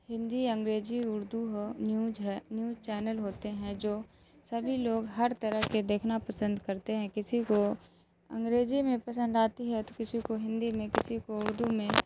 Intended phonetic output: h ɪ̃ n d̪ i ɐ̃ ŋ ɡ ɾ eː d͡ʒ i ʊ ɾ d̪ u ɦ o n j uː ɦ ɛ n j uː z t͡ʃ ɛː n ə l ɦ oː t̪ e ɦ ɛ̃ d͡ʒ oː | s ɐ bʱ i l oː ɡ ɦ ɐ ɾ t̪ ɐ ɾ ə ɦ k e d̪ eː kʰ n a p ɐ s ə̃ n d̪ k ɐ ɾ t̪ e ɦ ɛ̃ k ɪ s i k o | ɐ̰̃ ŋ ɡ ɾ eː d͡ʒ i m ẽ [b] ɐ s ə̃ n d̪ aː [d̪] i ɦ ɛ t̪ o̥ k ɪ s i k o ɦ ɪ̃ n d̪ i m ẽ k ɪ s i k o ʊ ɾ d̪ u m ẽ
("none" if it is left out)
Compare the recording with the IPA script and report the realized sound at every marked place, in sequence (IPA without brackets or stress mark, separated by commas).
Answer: p, t̪